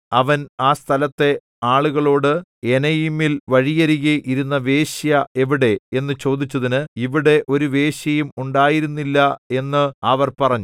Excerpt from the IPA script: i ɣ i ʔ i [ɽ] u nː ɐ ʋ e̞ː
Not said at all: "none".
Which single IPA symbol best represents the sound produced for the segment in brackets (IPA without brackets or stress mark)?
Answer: ɾ